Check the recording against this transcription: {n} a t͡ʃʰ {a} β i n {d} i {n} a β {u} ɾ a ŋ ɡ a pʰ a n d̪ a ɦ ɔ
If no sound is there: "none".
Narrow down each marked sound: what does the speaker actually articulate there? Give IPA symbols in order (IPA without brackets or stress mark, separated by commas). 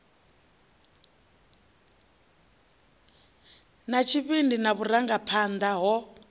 n, i, d, n, u